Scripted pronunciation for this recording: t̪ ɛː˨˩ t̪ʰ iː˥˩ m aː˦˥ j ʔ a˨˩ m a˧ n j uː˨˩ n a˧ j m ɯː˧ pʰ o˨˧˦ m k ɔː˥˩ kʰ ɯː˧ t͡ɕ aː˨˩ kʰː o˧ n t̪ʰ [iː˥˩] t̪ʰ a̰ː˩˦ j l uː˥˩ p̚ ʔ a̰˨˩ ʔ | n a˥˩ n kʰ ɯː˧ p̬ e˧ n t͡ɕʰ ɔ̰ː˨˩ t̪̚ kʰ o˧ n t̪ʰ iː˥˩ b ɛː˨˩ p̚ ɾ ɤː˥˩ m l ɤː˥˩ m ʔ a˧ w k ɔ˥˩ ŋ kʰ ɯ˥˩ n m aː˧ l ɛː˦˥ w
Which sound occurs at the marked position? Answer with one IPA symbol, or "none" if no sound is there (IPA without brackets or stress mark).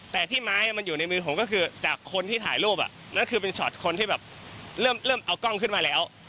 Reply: iː˥˩